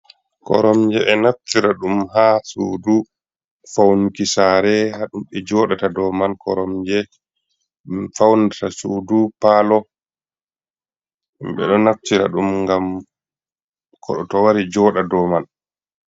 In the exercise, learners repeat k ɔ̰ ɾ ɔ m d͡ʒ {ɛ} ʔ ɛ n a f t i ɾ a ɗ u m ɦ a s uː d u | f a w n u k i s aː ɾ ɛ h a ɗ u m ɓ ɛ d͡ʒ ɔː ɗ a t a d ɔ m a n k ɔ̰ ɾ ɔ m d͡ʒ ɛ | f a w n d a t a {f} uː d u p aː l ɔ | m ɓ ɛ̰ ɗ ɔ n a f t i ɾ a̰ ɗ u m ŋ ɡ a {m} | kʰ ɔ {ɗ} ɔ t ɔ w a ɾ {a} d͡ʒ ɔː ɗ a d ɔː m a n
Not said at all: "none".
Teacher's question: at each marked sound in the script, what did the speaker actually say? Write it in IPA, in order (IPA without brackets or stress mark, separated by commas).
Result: ɛ, s, m, ɗ, i